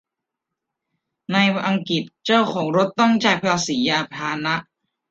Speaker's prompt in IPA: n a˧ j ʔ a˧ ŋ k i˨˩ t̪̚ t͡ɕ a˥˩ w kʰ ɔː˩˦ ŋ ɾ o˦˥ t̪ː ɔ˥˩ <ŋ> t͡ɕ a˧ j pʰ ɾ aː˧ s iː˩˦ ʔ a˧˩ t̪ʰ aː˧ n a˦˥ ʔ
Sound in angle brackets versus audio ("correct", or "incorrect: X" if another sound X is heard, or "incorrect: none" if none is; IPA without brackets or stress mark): correct